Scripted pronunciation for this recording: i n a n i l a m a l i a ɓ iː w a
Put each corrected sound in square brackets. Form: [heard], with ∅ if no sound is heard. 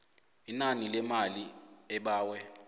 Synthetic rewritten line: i n a n i l [ɛ] m a l i [ɛ] ɓ [aː] w [ɛ]